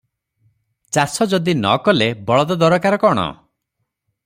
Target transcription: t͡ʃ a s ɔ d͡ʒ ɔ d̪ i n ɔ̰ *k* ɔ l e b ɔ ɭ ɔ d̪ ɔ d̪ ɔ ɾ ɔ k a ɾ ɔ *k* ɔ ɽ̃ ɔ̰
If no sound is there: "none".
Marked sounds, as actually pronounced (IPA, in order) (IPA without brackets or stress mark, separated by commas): k, k